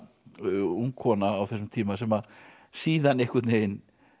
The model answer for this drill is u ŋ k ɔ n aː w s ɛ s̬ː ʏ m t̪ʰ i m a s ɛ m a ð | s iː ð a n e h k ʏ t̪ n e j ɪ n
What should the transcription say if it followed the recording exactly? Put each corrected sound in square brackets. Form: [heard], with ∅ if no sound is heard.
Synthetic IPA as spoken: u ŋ [kʰ] ɔ n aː w [θ] ɛ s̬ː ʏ m t̪ʰ [iː] m a s ɛ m a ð | s iː ð a n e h k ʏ t̪ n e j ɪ n